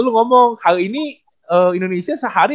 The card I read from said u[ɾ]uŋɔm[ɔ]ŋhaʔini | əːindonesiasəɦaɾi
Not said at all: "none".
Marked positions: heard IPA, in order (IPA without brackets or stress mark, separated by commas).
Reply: l, ɔ